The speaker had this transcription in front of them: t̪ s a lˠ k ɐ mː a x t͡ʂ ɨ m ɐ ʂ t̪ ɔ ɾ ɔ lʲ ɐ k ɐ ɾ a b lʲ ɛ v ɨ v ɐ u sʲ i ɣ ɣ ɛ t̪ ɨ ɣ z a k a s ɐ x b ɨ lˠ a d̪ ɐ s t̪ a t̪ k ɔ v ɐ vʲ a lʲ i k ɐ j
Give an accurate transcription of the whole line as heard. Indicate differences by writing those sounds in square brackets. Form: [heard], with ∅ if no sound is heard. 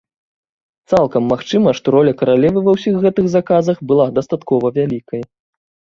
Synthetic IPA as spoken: t̪ s a lˠ k ɐ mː a x t͡ʂ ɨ m ɐ ʂ t̪ ɔ ɾ ɔ lʲ ɐ k ɐ ɾ a [∅] lʲ ɛ v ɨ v ɐ [w] sʲ i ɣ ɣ ɛ t̪ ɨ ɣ z a k a [z] ɐ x b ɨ lˠ a d̪ ɐ s t̪ a t̪ k ɔ v ɐ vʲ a lʲ i k ɐ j